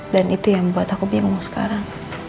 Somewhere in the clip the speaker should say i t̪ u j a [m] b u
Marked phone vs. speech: incorrect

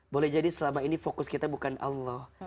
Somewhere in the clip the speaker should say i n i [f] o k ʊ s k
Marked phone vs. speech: correct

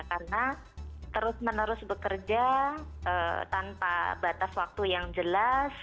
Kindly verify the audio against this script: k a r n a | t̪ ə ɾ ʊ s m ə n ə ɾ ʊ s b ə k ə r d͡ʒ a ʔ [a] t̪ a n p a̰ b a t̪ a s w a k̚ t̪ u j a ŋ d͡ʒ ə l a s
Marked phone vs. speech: incorrect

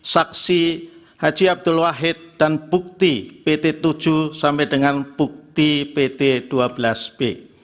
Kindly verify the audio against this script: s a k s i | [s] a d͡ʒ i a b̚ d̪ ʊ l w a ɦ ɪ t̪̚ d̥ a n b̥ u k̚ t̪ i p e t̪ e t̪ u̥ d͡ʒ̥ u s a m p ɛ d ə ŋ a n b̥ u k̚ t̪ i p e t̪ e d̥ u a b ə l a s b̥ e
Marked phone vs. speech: incorrect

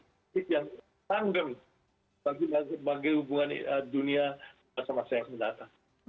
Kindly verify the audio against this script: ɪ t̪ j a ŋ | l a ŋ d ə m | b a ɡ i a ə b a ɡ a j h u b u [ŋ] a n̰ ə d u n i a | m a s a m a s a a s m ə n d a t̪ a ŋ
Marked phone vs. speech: correct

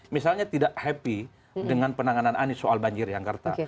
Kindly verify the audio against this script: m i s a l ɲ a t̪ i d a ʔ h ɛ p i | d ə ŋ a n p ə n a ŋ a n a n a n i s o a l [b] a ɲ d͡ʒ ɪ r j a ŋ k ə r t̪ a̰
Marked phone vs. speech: correct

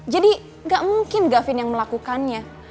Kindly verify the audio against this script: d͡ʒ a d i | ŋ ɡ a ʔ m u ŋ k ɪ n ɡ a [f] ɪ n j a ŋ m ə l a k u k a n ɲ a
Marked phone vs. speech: correct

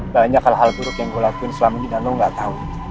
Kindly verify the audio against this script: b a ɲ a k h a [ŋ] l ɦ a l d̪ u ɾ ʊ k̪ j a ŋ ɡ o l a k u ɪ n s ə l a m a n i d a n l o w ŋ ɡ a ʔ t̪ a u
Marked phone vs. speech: incorrect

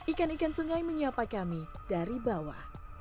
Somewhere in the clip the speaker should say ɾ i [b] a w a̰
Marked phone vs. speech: correct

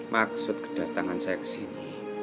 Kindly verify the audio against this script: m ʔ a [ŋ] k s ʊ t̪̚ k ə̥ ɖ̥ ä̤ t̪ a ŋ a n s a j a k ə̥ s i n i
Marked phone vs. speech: incorrect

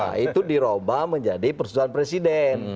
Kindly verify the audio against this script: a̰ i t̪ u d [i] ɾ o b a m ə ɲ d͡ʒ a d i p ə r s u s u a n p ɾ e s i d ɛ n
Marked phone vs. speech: correct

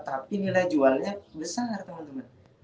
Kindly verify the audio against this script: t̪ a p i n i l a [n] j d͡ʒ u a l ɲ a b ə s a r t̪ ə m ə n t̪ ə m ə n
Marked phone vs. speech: incorrect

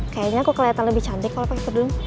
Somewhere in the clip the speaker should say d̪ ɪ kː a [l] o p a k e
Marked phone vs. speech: correct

